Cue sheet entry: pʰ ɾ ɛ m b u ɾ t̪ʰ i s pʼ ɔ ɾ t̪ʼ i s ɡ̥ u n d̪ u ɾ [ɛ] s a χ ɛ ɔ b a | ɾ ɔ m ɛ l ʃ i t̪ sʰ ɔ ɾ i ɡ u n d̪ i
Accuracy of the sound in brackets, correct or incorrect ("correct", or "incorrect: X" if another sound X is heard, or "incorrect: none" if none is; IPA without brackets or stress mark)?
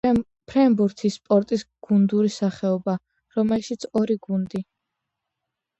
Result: incorrect: i